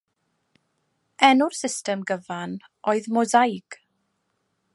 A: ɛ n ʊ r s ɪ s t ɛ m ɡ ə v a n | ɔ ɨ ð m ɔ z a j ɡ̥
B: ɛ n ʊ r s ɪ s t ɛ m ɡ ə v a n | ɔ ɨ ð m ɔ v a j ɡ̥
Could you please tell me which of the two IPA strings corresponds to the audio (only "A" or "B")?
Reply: A